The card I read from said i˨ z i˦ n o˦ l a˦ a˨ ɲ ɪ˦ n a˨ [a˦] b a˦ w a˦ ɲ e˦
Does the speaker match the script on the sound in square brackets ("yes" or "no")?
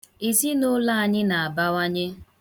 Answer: no